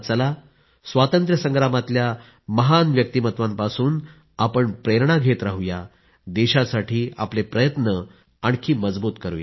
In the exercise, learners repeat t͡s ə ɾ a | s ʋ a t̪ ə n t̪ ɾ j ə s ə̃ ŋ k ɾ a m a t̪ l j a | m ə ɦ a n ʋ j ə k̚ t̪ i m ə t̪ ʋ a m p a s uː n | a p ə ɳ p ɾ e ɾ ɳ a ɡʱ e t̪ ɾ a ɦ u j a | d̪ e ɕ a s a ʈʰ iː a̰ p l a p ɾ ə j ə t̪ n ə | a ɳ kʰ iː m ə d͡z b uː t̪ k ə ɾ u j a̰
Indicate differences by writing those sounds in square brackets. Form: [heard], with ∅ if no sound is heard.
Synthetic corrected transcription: t͡s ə [l] a | s ʋ a t̪ ə n t̪ ɾ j ə s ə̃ ŋ [ɡ] ɾ a m a t̪ l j a | m ə ɦ a n ʋ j ə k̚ t̪ i m ə t̪ ʋ a m p a s uː n | a p ə ɳ p ɾ e ɾ ɳ a ɡʱ e t̪ ɾ a ɦ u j a | d̪ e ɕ a s a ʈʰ iː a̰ p l [e] p ɾ ə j ə t̪ n ə | a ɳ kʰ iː m ə d͡z b uː t̪ k ə ɾ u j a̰